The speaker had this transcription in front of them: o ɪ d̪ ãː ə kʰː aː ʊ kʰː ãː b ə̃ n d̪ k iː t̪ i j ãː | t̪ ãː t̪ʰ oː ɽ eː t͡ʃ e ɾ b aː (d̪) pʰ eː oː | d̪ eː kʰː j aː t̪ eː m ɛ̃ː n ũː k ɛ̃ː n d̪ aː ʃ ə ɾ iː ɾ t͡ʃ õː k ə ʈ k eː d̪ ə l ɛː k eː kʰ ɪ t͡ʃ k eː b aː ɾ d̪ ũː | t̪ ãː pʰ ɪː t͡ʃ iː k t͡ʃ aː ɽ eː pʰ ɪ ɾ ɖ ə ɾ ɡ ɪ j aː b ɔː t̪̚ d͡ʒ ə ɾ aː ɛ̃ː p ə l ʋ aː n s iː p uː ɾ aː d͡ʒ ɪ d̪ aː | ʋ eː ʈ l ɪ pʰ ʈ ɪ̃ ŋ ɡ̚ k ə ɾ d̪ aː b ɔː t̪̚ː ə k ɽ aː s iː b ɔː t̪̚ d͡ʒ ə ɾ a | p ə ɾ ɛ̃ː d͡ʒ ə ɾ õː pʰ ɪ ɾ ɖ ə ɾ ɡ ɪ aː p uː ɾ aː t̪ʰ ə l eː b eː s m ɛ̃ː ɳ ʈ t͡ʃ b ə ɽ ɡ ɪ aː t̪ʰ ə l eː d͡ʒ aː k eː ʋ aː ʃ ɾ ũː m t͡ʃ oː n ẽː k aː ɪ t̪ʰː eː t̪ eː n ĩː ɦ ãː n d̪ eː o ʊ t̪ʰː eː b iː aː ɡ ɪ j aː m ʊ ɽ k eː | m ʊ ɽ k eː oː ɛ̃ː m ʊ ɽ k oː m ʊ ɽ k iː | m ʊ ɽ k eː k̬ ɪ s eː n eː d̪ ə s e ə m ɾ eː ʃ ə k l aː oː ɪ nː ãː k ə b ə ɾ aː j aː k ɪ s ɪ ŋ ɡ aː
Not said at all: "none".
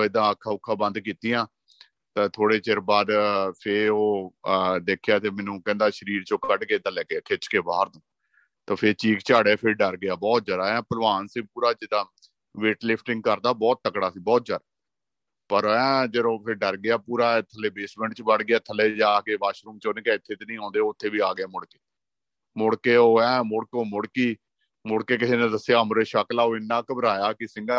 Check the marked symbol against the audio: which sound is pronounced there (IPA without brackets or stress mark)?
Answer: d̪